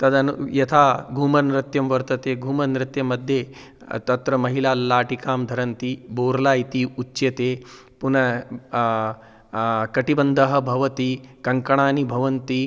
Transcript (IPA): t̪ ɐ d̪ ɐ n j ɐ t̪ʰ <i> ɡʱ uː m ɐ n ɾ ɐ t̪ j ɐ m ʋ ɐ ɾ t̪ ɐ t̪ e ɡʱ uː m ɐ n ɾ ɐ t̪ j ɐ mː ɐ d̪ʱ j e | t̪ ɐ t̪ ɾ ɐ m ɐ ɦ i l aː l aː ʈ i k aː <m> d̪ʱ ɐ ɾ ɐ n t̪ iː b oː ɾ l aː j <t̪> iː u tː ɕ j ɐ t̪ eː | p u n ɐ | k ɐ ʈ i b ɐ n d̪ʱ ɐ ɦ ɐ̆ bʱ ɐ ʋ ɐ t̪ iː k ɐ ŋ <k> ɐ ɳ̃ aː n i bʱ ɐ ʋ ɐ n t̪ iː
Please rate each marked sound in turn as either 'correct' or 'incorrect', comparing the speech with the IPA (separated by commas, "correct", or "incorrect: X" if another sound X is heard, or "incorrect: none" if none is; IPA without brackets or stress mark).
incorrect: a, correct, correct, correct